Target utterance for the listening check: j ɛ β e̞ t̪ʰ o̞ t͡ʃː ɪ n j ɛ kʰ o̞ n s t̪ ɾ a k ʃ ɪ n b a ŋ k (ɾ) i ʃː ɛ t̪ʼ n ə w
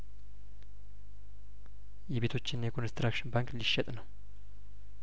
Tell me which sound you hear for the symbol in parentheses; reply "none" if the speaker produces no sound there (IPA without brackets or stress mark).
l